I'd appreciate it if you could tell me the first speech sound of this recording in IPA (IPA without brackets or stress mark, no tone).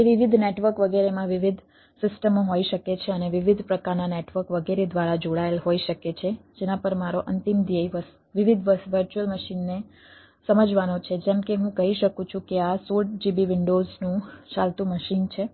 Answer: e